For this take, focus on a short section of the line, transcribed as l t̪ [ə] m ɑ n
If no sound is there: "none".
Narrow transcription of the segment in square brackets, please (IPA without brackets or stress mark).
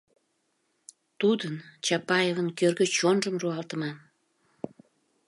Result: ə